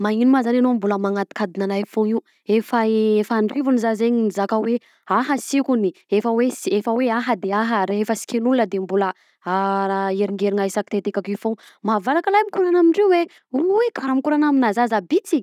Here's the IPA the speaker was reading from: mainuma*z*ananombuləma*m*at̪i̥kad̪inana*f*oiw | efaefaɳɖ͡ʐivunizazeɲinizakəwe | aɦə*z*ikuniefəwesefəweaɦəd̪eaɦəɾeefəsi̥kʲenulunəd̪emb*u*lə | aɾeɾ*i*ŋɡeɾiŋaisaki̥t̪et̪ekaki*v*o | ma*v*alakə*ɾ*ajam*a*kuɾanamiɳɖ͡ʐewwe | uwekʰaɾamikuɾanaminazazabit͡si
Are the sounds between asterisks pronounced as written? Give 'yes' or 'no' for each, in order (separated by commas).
yes, no, yes, no, yes, yes, no, yes, no, no